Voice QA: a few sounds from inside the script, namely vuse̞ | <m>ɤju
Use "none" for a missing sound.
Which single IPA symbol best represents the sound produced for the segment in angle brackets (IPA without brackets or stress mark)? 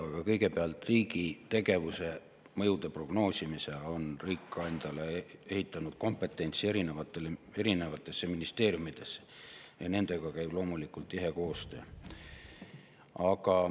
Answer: m